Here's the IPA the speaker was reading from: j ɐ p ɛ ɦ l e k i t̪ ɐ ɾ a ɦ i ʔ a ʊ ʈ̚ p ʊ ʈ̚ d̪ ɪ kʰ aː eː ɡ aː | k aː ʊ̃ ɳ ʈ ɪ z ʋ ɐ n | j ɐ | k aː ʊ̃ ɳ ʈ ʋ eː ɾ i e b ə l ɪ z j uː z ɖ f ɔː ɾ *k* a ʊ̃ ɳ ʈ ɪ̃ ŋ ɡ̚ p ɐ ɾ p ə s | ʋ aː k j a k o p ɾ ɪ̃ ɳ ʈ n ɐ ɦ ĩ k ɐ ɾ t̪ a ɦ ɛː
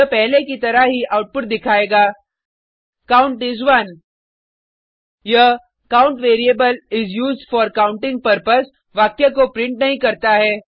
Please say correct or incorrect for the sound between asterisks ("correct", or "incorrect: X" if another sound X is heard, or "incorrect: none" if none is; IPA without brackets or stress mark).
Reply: correct